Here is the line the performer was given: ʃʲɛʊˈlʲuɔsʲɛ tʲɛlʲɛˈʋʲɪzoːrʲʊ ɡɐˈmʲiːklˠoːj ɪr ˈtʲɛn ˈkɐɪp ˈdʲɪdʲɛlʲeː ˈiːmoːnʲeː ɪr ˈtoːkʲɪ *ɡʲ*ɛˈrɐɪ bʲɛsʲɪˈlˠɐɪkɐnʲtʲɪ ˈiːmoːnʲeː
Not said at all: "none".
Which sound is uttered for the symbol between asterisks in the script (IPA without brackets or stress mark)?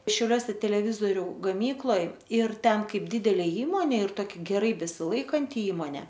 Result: ɡʲ